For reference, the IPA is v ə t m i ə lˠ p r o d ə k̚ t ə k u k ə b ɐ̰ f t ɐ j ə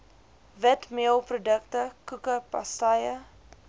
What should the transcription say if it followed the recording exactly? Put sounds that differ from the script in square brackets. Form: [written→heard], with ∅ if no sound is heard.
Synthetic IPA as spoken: v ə t m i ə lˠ p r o d ə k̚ t ə k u k ə [b→p] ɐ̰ [f→s] t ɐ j ə